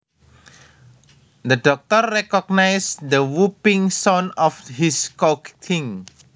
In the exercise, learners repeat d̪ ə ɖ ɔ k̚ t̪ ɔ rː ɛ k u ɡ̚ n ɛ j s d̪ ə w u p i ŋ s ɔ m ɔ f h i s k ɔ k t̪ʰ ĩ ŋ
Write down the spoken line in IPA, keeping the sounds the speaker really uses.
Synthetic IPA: d̪ ə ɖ ɔ k̚ t̪ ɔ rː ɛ k ɔ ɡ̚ n a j s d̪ ə w u p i ŋ s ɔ n ɔ f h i s k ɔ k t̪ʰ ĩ ŋ